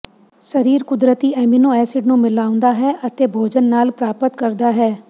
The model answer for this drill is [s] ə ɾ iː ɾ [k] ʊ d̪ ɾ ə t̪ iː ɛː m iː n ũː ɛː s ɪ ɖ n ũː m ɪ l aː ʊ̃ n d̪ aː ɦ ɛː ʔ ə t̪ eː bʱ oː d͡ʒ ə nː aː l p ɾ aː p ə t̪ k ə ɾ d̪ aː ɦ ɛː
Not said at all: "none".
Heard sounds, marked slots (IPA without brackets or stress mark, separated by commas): s, k